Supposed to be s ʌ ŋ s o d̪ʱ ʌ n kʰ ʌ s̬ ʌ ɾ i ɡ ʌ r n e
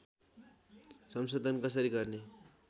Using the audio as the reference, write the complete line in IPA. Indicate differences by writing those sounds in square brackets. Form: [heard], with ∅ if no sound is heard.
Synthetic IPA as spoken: s ʌ [m] s o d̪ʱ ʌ n [k] ʌ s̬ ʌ ɾ i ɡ ʌ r n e

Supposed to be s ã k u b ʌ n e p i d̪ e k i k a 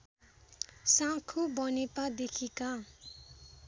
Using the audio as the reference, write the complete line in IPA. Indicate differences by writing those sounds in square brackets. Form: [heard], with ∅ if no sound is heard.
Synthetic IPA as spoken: s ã [kʰ] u b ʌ n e p [a] d̪ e [kʰ] i k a

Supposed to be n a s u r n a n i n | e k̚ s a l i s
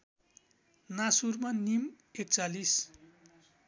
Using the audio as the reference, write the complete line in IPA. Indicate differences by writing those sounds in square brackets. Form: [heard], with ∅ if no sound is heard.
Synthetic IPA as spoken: n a s u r [m] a n i [m] | e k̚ [t͡s] a l i s

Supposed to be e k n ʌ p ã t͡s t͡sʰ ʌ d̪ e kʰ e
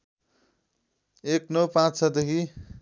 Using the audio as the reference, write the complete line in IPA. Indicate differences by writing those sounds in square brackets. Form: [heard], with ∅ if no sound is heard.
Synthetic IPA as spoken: e k n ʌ p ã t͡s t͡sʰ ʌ d̪ e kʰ [i]

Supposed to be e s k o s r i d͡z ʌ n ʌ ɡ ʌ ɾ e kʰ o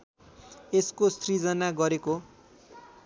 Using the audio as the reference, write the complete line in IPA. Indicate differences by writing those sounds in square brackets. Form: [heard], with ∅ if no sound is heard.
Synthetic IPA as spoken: e s k o s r i d͡z ʌ n [a] ɡ ʌ ɾ e [k] o

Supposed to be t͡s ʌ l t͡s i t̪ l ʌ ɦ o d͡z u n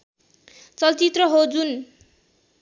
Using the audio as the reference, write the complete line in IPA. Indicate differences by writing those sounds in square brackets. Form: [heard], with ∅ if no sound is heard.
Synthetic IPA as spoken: t͡s ʌ l t͡s i t̪ [r] ʌ ɦ o d͡z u n

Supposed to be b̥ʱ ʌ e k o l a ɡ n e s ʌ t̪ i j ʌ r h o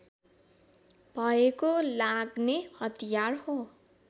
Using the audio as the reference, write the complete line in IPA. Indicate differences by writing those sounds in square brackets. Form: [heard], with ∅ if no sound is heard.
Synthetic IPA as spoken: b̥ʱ ʌ e k o l a ɡ n e [h] ʌ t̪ i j [a] r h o

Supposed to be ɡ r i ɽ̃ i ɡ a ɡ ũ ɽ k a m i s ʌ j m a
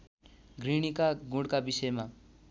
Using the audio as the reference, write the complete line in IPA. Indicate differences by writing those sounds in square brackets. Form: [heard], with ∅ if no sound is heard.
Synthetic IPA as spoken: ɡ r i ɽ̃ i [k] a ɡ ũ ɽ k a [b] i s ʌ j m a

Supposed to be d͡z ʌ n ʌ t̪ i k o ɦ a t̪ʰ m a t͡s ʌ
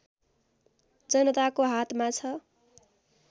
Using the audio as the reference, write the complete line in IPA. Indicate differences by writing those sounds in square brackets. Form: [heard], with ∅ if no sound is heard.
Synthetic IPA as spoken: d͡z ʌ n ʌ t̪ [a] k o ɦ a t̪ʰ m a [t͡sʰ] ʌ

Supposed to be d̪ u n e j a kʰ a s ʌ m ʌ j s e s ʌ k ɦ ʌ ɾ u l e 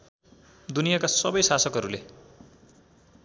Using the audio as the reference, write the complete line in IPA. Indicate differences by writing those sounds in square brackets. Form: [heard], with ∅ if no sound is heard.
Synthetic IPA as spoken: d̪ u n [i] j a [k] a s ʌ [b] ʌ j s [a] s ʌ k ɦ ʌ ɾ u l e

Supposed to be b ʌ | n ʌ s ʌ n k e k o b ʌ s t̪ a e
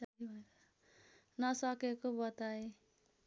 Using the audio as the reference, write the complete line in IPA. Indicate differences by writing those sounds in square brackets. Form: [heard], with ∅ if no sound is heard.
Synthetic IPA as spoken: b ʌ | n ʌ s ʌ [∅] k e k o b ʌ [∅] t̪ a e

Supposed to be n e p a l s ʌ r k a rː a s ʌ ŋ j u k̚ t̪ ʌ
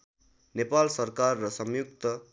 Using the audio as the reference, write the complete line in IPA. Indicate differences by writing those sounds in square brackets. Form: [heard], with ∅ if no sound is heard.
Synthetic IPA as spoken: n e p a l s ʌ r k a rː [ʌ] s ʌ [m] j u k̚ t̪ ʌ

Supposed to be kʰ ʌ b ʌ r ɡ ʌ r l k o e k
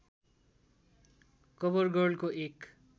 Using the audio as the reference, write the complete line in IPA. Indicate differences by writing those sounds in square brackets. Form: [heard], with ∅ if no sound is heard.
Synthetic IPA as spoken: [k] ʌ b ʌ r ɡ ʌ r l k o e k

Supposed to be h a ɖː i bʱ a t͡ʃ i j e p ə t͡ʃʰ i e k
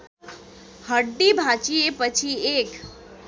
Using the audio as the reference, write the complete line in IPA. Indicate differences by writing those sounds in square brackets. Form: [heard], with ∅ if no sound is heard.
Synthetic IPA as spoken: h [ə] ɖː i bʱ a t͡ʃ i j e p ə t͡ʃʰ i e k

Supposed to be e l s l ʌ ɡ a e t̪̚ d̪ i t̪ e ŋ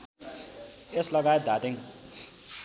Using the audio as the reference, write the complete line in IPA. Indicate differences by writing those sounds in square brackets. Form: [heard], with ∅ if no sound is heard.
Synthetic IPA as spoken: e [∅] s l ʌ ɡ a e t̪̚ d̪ [a] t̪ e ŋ

